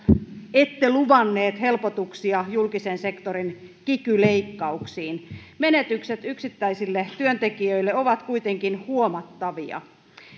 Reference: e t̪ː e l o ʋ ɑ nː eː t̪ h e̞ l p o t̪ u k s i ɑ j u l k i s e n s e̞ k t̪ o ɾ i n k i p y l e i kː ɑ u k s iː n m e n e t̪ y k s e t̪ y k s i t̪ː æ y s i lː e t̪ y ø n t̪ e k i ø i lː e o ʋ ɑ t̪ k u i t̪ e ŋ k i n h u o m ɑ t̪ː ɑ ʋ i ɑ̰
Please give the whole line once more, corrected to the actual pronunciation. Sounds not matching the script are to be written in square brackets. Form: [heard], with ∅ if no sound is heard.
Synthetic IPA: e t̪ː e l [u] ʋ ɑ nː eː t̪ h e̞ l p o t̪ u k s i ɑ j u l k i s e n s e̞ k t̪ o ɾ i n k i [k] y l e i kː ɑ u k s iː n m e n e t̪ y k s e t̪ y k s i t̪ː æ [i] s i lː e t̪ y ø n t̪ e k i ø i lː e o ʋ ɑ t̪ k u i t̪ e ŋ k i n h u o m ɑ t̪ː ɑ ʋ i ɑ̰